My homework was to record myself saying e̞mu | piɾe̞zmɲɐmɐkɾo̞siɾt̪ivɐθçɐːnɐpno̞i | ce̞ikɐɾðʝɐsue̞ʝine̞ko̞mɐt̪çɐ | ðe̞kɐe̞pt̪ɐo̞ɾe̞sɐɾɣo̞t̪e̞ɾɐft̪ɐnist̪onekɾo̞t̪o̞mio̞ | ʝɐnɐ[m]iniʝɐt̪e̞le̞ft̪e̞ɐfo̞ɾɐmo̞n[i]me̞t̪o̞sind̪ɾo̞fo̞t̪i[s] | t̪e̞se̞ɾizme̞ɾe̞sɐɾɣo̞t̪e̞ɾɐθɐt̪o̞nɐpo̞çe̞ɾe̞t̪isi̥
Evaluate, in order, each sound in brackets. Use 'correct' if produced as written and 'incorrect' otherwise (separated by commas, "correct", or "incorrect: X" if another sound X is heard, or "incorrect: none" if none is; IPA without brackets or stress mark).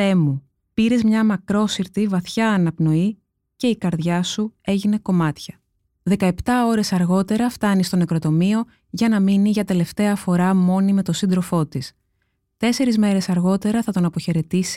correct, correct, correct